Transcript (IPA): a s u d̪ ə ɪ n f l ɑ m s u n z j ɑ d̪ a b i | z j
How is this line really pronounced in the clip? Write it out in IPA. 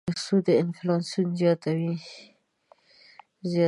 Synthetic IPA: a s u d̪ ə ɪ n f l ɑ n s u n z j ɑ t̪ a w i | z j